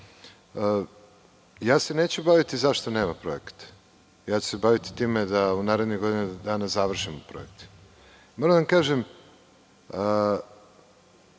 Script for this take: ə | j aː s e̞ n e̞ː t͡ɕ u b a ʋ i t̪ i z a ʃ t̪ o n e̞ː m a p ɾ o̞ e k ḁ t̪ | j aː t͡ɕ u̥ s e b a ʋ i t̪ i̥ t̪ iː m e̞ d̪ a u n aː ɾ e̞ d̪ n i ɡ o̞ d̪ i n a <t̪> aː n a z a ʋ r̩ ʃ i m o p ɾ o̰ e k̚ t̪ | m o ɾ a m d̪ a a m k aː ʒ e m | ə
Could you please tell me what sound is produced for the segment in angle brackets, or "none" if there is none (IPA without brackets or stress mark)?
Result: d̪